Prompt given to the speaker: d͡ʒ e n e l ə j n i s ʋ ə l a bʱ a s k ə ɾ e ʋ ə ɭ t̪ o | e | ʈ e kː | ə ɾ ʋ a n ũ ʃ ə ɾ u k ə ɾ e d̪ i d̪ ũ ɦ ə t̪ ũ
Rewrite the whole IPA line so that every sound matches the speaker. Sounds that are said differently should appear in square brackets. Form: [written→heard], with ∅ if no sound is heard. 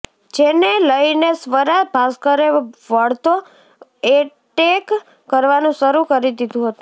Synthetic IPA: d͡ʒ e n e l ə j n [i→e] s ʋ ə [l→ɾ] a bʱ a s k ə ɾ e ʋ ə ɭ t̪ o | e | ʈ e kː | ə ɾ ʋ a n ũ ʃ ə ɾ u k ə ɾ [e→i] d̪ i d̪ ũ ɦ ə t̪ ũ